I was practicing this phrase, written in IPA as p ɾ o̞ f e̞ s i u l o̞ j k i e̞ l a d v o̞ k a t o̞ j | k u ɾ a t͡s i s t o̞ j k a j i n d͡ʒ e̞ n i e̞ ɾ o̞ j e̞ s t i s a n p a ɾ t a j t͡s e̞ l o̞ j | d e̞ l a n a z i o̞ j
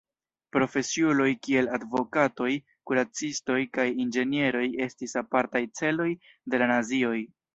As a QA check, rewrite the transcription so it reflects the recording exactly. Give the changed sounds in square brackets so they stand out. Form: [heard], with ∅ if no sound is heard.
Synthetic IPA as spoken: p ɾ o̞ f e̞ s i u l o̞ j k i e̞ l a d v o̞ k a t o̞ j | k u ɾ a t͡s i s t o̞ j k a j i n d͡ʒ e̞ n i e̞ ɾ o̞ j e̞ s t i s a [∅] p a ɾ t a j t͡s e̞ l o̞ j | d e̞ l a n a z i o̞ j